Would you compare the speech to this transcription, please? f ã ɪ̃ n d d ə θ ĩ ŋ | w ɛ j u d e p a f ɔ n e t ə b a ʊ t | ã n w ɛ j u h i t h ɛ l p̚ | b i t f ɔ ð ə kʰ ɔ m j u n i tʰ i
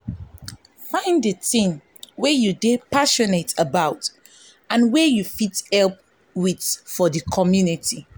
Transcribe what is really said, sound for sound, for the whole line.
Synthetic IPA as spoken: f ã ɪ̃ n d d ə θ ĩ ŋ | w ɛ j u d e p a ʃ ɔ n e t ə b a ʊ t | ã n w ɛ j u f i t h ɛ l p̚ | w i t f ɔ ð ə kʰ ɔ m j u n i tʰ i